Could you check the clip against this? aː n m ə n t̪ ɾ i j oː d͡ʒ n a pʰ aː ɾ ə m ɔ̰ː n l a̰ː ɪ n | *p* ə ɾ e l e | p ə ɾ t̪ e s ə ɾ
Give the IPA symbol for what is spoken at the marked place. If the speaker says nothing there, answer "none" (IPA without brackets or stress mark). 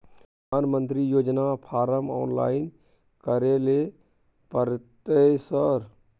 k